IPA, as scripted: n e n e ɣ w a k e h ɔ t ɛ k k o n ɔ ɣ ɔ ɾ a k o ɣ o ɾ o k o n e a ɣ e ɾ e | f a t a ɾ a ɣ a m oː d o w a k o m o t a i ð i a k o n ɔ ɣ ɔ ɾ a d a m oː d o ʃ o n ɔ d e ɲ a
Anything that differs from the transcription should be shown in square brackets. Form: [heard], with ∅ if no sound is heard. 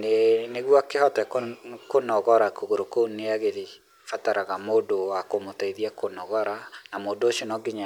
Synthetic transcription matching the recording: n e n e ɣ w a k e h ɔ t ɛ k k o n ɔ ɣ ɔ ɾ a k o ɣ o ɾ o k o n e a ɣ e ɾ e | f a t a ɾ a ɣ a m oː d o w a k o m o t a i ð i a k o n ɔ ɣ ɔ ɾ a [n] a m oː d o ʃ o n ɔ [ɡ] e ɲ a